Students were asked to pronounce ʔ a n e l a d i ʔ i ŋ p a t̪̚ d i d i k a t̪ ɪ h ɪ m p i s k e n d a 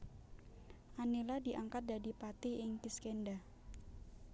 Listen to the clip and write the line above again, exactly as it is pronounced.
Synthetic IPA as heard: ʔ a n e l a d i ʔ a ŋ k a t̪̚ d a d i p a t̪ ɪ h ɪ ŋ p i s k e n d a